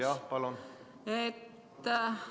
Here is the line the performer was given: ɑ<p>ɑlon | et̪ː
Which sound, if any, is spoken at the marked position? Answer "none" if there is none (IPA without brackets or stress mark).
p